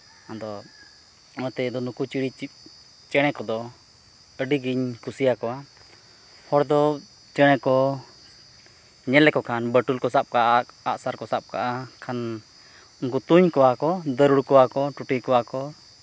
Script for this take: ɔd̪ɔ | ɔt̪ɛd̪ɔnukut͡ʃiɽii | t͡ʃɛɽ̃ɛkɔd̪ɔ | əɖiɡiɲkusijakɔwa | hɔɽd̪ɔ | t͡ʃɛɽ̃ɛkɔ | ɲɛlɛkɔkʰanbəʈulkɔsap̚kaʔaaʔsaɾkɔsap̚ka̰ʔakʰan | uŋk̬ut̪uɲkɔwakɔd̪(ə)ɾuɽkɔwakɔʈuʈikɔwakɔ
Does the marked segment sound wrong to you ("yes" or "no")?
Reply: no